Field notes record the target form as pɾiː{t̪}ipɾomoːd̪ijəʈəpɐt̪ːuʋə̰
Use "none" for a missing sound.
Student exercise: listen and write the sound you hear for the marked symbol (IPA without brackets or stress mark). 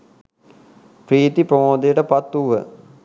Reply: t̪